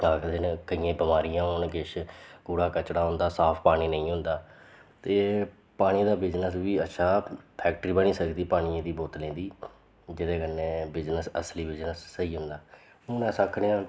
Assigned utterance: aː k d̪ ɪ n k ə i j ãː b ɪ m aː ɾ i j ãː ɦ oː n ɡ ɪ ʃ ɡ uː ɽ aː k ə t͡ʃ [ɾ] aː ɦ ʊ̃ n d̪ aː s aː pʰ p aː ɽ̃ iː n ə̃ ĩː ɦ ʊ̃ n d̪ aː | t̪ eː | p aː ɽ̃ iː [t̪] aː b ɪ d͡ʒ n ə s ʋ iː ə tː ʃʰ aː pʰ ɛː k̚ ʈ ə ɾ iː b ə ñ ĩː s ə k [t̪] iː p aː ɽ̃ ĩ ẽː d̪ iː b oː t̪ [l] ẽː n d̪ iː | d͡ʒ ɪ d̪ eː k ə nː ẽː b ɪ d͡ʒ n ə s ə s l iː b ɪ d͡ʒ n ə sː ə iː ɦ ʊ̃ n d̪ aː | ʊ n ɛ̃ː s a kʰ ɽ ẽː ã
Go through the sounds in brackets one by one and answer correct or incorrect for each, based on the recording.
incorrect, incorrect, incorrect, correct

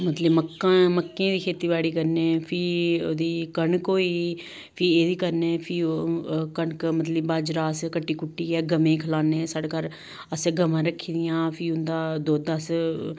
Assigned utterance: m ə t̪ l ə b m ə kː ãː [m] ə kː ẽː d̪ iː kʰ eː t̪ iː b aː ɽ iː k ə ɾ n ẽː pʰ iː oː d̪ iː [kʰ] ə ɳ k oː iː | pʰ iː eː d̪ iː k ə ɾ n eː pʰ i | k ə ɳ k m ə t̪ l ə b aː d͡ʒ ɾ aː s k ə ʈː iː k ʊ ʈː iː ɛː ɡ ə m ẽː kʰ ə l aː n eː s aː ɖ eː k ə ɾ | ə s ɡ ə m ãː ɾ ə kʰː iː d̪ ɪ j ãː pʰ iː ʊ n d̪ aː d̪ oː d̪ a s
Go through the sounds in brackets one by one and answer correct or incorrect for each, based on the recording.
correct, incorrect

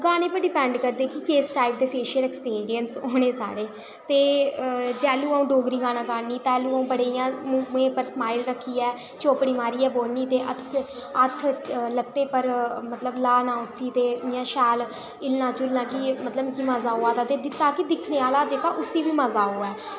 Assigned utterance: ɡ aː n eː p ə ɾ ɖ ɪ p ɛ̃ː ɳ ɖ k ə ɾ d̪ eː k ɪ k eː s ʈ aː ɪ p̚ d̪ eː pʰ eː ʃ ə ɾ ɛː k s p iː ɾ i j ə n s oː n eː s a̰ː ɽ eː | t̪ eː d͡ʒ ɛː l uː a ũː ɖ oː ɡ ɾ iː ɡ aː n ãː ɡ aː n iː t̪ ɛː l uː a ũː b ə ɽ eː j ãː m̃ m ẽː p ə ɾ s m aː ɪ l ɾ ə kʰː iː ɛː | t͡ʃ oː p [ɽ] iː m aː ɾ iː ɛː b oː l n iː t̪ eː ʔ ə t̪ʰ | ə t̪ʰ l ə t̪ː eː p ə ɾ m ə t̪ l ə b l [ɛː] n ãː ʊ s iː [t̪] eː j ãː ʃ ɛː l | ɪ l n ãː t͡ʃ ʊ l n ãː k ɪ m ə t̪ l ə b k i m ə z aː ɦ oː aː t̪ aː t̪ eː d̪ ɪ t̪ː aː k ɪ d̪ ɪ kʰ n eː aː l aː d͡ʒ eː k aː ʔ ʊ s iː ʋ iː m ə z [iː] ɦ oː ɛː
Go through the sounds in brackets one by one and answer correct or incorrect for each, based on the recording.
correct, incorrect, correct, incorrect

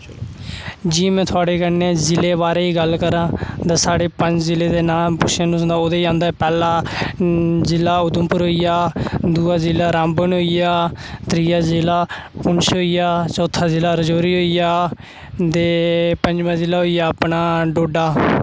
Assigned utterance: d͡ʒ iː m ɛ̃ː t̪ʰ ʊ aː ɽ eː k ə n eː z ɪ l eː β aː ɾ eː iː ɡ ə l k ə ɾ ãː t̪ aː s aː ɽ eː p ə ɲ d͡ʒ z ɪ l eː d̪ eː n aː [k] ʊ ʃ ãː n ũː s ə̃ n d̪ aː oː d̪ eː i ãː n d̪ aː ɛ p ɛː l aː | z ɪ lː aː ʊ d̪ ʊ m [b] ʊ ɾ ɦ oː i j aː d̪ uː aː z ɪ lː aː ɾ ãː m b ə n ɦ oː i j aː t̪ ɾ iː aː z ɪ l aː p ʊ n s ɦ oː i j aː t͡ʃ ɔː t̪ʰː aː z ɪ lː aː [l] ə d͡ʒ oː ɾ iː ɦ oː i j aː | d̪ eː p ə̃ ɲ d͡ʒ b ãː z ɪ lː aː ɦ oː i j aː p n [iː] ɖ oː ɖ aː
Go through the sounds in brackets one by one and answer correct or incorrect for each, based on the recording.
incorrect, incorrect, incorrect, incorrect

